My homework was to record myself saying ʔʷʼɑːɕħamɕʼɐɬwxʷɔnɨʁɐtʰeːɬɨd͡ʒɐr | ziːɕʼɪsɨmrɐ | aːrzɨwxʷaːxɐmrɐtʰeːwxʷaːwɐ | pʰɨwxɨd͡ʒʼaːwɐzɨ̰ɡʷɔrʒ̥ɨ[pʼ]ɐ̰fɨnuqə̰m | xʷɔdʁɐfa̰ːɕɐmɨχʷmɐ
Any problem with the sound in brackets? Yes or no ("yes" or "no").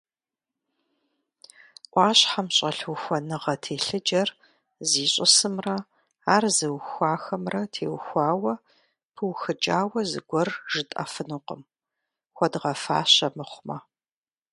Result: yes